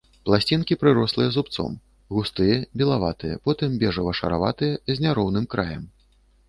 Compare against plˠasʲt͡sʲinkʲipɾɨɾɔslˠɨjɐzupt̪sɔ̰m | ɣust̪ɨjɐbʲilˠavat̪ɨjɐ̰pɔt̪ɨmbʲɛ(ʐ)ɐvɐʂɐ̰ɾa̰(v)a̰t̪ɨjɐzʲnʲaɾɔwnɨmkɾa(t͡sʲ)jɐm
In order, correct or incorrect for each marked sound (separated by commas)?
correct, correct, incorrect